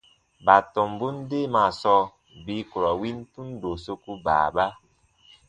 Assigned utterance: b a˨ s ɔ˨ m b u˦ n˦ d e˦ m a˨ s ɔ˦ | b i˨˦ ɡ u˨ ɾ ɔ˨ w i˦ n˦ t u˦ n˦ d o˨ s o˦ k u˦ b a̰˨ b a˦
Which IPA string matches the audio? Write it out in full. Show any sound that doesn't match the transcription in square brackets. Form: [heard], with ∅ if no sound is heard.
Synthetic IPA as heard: b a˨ [t] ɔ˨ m b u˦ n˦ d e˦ m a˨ s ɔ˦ | b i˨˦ [k] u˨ ɾ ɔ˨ w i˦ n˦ t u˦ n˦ d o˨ s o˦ k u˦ b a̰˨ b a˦